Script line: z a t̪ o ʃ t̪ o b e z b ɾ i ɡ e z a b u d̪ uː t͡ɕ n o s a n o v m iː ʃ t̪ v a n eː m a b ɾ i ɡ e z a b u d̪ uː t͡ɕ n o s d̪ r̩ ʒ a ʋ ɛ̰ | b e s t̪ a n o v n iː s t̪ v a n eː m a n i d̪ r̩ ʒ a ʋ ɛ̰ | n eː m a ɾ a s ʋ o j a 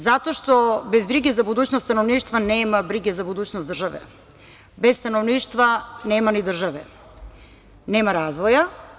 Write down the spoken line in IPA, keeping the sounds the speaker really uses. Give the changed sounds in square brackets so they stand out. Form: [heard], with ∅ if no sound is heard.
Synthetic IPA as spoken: z a t̪ o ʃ t̪ o b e z b ɾ i ɡ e z a b u d̪ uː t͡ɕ n o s a n o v [n] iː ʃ t̪ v a n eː m a b ɾ i ɡ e z a b u d̪ uː t͡ɕ n o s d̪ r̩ ʒ a ʋ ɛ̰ | b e s t̪ a n o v n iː [ʃ] t̪ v a n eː m a n i d̪ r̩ ʒ a ʋ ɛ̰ | n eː m a ɾ a [z] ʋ o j a